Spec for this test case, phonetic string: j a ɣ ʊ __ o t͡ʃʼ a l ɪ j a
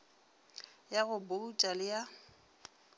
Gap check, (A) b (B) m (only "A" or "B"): A